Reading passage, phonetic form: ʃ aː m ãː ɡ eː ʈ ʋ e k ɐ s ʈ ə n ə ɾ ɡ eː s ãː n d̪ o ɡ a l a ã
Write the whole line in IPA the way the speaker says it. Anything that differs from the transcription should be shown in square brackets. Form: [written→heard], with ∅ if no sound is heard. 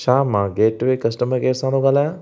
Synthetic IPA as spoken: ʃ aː m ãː ɡ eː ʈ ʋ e k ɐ s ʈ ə [n→m] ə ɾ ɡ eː s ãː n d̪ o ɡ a l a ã